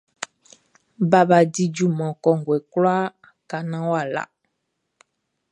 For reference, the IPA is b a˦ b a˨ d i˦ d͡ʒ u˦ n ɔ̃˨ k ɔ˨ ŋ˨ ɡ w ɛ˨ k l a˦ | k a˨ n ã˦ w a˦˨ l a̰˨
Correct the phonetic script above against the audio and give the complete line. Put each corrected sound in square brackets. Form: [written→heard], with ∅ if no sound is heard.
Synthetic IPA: b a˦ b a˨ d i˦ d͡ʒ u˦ [n→m] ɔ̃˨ k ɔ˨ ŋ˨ ɡ w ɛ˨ k l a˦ | k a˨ n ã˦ w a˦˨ l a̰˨